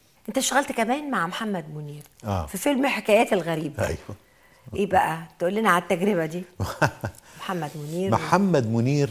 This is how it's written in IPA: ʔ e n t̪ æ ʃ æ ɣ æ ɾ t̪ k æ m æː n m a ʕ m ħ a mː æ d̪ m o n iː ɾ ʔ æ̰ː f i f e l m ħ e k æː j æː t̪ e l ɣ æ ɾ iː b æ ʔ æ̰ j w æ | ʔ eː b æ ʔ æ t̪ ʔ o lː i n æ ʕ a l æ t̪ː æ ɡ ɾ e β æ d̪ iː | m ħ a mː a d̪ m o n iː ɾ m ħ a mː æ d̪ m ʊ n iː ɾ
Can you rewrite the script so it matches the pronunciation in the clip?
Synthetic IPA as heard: ʔ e n t̪ æ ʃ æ ɣ æ l t̪ k æ m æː n m a ʕ m ħ a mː æ d̪ m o n iː ɾ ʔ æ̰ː f i f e l m ħ e k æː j æː t̪ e l ɣ æ ɾ iː b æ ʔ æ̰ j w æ | ʔ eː b æ ʔ æ t̪ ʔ o lː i n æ ʕ a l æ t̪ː æ ɡ ɾ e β æ d̪ iː | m ħ a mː æ d̪ m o n iː ɾ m ħ a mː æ d̪ m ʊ n iː ɾ

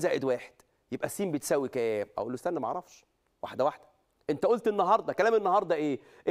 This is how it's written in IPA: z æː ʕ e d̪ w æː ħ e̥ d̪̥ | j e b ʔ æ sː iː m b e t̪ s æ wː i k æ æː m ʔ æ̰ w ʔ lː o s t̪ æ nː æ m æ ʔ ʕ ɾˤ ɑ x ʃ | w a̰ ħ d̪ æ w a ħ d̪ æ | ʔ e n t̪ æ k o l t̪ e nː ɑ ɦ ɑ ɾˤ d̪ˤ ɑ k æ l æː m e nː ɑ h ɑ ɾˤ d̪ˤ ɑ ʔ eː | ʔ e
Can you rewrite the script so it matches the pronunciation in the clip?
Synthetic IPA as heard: z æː ʕ e d̪ w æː ħ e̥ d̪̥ | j e b ʔ æ sː iː m b e t̪ s æ wː i k æ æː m ʔ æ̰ w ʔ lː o s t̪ æ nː æ m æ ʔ ʕ ɾˤ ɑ f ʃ | w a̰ ħ d̪ æ w a ħ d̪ æ | ʔ e n t̪ æ ʔ o l t̪ e nː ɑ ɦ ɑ ɾˤ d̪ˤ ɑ k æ l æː m e nː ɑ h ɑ ɾˤ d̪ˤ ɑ ʔ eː | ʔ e

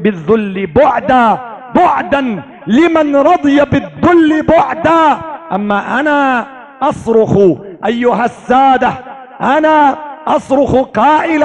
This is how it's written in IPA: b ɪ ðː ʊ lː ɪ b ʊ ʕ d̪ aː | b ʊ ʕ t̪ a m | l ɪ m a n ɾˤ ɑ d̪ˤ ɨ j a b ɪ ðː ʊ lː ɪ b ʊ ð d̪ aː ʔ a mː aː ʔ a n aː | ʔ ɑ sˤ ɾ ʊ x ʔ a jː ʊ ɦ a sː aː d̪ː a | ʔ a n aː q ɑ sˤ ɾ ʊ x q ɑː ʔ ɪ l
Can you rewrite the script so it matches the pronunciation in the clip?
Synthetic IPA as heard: b ɪ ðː ʊ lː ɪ b ʊ ʕ d̪ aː | b ʊ ʕ d̪ a n | l ɪ m a n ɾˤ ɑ d̪ˤ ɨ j a b ɪ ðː ʊ lː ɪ b ʊ ʕ d̪ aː ʔ a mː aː ʔ a n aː | ʔ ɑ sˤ ɾ ʊ x ʔ a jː ʊ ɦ a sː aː d̪ a | ʔ a n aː ʔ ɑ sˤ ɾ ʊ x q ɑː ʔ ɪ l

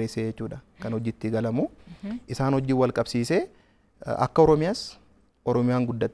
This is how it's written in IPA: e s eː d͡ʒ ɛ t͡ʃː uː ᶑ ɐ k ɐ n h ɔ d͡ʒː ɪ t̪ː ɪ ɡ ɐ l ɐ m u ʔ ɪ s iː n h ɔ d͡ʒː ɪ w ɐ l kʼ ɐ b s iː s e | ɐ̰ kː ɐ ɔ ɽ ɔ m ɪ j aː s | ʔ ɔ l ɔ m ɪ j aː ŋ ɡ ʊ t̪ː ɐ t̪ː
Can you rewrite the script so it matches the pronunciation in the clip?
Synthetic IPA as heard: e s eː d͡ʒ ɛ t͡ʃː uː ᶑ ɐ k ɐ n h ɔ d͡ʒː ɪ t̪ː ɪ ɡ ɐ l ɐ m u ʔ ɪ s aː n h ɔ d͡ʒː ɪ w ɐ l kʼ ɐ b s iː s e | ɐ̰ kː ɐ ɔ ɾ ɔ m ɪ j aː s | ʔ ɔ ɾ ɔ m ɪ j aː ŋ ɡ ʊ d̪ː ɐ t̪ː

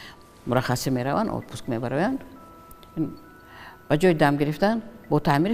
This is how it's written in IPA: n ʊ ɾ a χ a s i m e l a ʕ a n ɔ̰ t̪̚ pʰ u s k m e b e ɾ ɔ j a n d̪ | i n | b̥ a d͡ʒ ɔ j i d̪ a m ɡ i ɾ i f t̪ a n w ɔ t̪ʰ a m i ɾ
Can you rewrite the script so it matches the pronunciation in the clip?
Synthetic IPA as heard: m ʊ ɾ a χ a s i m e ɾ a v a n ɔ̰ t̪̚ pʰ u s k m e b a ɾ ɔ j a n d̪ | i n | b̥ a d͡ʒ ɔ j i d̪ a m ɡ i ɾ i f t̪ a n b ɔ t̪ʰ a m i ɾ

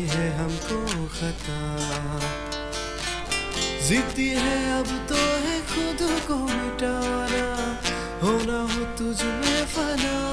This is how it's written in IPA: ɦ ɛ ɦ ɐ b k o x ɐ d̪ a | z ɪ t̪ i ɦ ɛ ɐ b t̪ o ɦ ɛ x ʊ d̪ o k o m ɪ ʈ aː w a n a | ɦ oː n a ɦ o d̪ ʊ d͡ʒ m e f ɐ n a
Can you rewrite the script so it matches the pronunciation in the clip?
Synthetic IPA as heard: ɦ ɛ ɦ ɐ m k o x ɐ t̪ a | z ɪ t̪ i ɦ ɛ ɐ b t̪ o ɦ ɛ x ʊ d̪ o k o m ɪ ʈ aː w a n a | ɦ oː n a ɦ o t̪ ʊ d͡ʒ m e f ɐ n a

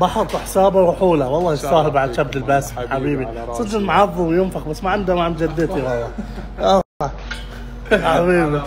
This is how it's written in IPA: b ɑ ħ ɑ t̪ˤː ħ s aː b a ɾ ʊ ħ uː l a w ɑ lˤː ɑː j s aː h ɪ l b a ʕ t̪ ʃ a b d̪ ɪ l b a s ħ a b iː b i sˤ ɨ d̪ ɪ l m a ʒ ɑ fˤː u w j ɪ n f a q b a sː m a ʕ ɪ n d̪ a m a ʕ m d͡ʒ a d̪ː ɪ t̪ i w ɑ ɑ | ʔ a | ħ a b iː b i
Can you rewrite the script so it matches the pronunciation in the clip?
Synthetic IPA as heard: b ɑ ħ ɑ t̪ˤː ħ s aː b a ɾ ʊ ħ uː l a w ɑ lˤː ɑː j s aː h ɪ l b a ʕ d̪ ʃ a b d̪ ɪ l b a s ħ a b iː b i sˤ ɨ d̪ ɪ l m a ʕ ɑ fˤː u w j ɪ n f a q b a sː m a ʕ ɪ n d̪ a m a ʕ m d͡ʒ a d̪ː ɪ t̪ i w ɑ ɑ | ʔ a | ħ a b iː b i

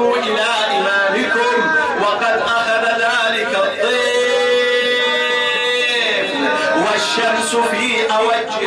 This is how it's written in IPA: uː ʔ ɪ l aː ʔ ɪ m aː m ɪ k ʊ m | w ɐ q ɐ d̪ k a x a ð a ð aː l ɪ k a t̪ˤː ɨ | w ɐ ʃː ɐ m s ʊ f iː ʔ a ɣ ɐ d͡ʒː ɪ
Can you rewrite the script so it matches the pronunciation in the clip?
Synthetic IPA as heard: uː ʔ ɪ l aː ʔ ɪ m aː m ɪ k ʊ m | w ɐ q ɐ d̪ ʔ a x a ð a ð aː l ɪ k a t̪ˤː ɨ | w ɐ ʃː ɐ m s ʊ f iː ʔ a w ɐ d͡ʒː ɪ

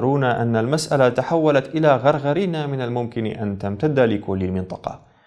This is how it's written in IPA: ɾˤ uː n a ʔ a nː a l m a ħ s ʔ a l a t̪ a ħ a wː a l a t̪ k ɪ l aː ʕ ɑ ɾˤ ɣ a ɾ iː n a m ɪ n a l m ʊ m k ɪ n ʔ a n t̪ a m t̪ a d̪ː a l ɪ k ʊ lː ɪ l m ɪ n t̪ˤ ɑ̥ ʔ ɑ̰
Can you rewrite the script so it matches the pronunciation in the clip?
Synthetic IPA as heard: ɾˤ uː n a ʔ a nː a l m a s ʔ a l a t̪ a ħ a wː a l a t̪ ʔ ɪ l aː ɣ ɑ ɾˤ ɣ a ɾ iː n a m ɪ n a l m ʊ m k ɪ n ʔ a n t̪ a m t̪ a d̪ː a l ɪ k ʊ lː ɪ l m ɪ n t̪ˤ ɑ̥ q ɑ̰

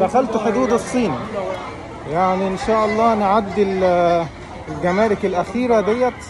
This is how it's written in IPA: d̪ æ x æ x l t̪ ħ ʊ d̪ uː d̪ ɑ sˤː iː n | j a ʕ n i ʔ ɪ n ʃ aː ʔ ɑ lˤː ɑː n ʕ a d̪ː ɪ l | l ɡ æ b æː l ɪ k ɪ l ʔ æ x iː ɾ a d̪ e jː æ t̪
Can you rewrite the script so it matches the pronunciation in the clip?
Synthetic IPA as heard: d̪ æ x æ l t̪ ħ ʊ d̪ uː d̪ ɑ sˤː iː n | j a ʕ n i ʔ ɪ n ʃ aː ʔ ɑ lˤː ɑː n ʕ a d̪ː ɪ l | l ɡ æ m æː l ɪ k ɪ l ʔ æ x iː ɾ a d̪ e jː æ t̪

